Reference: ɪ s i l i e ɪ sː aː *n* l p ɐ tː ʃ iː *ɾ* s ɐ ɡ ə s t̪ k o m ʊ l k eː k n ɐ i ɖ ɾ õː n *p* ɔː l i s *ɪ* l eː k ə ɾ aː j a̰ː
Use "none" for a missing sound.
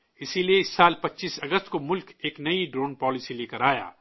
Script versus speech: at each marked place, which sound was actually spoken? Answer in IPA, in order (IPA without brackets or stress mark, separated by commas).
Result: none, none, p, i